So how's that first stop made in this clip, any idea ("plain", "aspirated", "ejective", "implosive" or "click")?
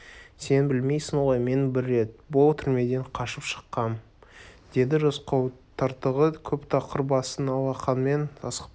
plain